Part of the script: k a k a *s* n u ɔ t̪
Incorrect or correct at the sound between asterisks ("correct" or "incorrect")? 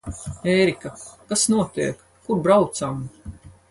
correct